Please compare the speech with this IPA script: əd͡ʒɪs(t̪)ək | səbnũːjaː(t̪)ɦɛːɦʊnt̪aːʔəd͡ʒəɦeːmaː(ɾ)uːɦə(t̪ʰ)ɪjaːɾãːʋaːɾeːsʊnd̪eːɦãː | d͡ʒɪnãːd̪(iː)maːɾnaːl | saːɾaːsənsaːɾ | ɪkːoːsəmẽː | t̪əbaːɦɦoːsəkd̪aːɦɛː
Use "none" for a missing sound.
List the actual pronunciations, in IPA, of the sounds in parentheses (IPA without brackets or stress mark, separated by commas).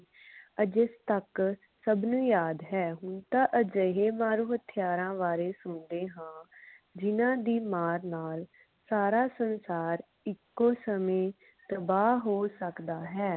t̪, d̪, ɾ, t̪ʰ, iː